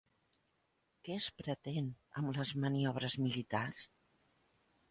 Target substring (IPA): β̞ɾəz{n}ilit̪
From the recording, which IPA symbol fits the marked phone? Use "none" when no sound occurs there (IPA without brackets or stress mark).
m